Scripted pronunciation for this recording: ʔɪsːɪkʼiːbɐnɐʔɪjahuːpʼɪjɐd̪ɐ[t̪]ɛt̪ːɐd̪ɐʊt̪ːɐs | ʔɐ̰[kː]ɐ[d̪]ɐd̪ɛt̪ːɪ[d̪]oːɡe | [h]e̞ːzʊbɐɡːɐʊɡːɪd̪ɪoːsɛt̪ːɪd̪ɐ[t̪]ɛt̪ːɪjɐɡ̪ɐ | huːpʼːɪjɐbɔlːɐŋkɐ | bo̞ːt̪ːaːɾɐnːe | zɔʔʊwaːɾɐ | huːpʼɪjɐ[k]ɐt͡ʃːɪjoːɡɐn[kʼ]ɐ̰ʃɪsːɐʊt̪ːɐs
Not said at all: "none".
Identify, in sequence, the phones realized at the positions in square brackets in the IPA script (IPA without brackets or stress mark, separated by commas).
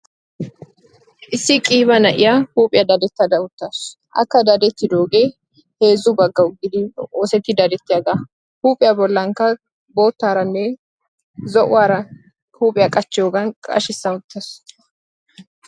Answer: d̪, kː, d̪, d̪, h, d̪, kʼ, kʼ